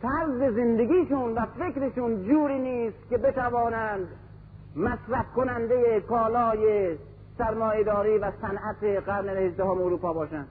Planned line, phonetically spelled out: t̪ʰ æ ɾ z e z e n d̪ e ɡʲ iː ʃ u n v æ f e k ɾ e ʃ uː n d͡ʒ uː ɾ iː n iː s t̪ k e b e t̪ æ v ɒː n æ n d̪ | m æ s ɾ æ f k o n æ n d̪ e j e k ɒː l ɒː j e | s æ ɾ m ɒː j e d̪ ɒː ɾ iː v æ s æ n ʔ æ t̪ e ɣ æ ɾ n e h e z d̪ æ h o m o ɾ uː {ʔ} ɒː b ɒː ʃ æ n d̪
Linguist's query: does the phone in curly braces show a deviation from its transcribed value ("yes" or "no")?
yes